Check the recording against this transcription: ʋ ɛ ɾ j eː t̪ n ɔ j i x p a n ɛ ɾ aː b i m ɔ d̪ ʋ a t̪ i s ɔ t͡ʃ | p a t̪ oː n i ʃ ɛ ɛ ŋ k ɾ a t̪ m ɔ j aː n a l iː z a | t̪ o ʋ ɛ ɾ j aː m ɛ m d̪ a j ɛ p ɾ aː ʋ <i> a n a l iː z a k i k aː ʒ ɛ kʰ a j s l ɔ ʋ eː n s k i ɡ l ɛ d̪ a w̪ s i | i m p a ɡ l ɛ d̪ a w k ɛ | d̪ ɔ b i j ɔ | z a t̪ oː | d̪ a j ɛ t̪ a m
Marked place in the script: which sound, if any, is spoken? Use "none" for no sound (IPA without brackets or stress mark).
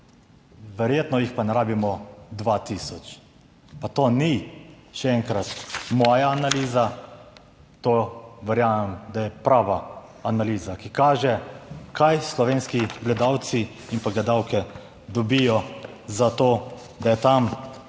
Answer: a